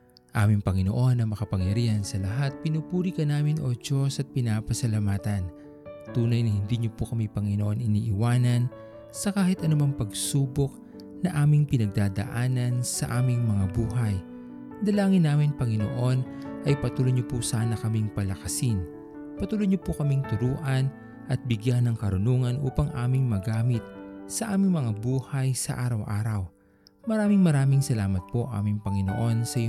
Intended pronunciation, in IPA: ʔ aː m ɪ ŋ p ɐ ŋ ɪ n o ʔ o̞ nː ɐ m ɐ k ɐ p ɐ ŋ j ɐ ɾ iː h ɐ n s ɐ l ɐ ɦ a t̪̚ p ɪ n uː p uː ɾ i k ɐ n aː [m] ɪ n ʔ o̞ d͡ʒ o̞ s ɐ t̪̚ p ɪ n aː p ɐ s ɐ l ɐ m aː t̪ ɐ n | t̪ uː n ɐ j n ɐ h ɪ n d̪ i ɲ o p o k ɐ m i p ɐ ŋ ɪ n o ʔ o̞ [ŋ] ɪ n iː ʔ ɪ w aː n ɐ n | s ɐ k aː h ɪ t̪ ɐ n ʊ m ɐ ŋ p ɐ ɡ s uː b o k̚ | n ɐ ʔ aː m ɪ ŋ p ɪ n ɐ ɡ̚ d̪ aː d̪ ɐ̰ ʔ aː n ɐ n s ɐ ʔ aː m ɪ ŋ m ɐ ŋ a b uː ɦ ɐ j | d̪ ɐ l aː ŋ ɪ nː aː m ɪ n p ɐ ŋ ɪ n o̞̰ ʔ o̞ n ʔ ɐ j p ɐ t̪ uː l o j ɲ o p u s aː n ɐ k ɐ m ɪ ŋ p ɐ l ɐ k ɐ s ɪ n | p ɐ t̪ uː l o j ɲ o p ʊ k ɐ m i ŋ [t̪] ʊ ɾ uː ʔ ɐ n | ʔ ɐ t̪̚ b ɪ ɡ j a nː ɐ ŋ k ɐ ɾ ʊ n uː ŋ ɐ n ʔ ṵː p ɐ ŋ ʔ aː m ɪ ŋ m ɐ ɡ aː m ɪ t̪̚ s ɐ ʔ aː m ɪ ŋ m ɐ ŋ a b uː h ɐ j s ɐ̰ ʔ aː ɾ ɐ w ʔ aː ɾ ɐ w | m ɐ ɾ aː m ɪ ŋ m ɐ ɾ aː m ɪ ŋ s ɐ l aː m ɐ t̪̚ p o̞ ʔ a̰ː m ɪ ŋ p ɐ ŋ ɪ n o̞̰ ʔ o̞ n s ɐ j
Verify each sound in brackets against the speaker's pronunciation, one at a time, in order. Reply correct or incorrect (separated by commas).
correct, incorrect, correct